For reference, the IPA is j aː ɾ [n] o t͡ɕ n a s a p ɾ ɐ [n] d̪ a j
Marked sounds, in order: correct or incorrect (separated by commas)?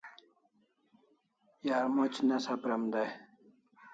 incorrect, incorrect